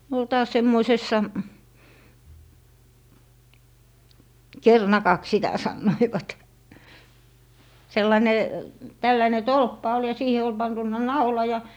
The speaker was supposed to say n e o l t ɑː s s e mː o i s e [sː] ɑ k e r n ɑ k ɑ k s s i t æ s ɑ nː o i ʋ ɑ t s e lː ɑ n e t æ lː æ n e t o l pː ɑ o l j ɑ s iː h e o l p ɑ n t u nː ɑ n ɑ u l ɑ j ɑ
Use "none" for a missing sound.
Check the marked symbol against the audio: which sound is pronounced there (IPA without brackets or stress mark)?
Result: sː